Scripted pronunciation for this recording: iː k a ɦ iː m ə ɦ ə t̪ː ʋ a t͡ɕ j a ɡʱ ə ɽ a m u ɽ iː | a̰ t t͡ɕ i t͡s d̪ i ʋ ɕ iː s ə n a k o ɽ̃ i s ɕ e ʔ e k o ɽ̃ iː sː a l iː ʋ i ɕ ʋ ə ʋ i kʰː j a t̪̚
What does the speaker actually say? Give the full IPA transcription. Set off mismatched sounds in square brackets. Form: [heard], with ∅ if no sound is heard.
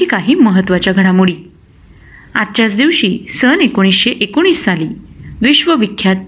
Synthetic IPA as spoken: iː k a ɦ iː m ə ɦ ə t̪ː ʋ a t͡ɕ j a ɡʱ ə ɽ a m u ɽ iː | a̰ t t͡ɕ [a] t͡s d̪ i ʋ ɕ iː s ə n [e] k o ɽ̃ i s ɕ e ʔ e k o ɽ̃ iː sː a l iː ʋ i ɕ ʋ ə ʋ i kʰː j a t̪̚